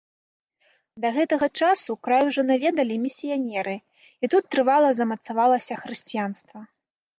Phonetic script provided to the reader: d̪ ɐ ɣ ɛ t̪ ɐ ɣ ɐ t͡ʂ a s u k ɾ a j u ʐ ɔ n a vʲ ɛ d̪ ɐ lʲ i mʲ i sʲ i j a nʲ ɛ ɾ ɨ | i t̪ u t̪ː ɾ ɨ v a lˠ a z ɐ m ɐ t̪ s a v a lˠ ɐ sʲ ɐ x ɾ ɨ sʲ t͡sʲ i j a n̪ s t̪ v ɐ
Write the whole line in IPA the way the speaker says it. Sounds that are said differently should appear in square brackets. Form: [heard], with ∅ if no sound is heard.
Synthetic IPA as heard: d̪ ɐ ɣ ɛ t̪ ɐ ɣ ɐ t͡ʂ a s u k ɾ a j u ʐ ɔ n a vʲ ɛ d̪ ɐ lʲ i mʲ i sʲ i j a nʲ ɛ ɾ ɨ | i t̪ u t̪ː ɾ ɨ v a lˠ [ɐ] z ɐ m ɐ t̪ s a v a lˠ ɐ sʲ ɐ x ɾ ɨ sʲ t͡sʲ i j a n̪ s t̪ v ɐ